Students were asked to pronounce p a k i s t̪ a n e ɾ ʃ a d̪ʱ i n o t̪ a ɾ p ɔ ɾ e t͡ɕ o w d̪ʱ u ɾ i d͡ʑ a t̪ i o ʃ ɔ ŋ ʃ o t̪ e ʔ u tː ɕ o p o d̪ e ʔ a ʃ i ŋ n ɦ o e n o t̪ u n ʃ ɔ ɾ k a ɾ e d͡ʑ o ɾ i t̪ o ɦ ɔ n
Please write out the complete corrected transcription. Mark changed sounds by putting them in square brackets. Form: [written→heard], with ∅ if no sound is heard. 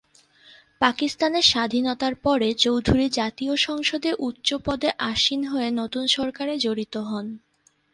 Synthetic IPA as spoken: p a k i s t̪ a n e ɾ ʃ a d̪ʱ i n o t̪ a ɾ p ɔ ɾ e t͡ɕ o w d̪ʱ u ɾ i d͡ʑ a t̪ i o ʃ ɔ ŋ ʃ o [t̪→d̪] e ʔ u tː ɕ o p [o→ɔ] d̪ e ʔ a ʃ i [ŋ→∅] n ɦ o e n o t̪ u n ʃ ɔ ɾ k a ɾ e d͡ʑ o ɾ i t̪ o ɦ ɔ n